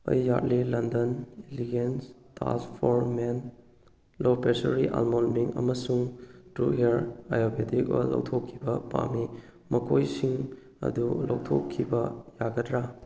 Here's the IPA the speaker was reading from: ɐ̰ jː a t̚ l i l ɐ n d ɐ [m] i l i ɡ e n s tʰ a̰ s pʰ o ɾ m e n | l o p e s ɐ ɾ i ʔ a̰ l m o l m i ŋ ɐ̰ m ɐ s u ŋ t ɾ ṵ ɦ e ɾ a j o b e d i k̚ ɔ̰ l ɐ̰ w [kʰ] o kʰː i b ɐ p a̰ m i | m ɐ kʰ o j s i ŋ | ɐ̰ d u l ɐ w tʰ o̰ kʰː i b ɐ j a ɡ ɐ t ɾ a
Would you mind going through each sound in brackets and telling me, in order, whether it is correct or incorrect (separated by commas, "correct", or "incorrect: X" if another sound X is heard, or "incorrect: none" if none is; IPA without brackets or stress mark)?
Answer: incorrect: n, incorrect: tʰ